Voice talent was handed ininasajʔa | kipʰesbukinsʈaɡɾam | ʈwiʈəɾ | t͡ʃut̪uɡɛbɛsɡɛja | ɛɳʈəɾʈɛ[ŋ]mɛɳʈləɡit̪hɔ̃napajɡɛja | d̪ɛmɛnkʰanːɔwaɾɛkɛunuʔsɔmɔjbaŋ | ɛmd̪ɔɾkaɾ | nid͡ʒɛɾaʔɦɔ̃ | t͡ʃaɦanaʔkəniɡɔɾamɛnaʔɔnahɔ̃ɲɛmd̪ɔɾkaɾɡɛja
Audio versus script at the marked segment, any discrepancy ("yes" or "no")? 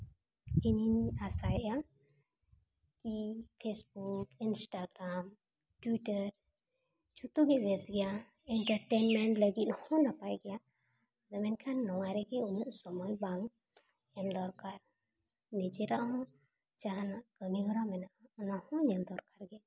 yes